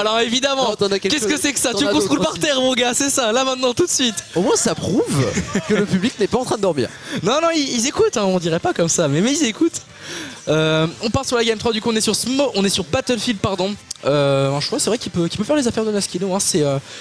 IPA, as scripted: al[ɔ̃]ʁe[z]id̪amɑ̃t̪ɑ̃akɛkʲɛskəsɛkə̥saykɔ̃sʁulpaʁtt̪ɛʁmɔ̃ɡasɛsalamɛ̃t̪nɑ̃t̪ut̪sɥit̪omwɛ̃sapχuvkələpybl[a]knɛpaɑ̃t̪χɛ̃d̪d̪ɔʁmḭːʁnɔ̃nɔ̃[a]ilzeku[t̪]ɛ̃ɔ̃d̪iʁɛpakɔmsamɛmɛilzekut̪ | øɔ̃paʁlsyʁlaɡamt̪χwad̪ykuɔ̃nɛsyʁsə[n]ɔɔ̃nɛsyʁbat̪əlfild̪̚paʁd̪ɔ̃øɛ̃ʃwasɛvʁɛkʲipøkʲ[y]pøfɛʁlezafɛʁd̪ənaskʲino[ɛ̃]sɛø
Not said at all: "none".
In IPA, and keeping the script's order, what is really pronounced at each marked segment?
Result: ɔ, v, i, i, t̪, m, i, ɛ̃

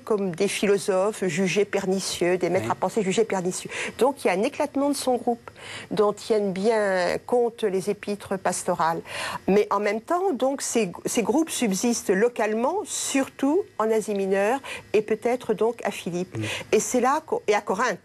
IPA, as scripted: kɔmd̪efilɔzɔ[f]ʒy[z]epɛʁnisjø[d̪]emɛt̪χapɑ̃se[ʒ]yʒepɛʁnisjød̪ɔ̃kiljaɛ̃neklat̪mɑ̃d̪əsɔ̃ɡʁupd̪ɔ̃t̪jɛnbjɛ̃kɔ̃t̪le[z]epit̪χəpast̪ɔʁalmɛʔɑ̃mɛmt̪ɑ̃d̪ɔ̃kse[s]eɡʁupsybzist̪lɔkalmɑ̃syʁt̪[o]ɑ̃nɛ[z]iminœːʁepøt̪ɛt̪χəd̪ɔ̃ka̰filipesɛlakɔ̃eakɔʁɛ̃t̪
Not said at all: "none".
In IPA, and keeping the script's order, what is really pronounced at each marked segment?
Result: f, ʒ, d̪, ʒ, z, s, u, z

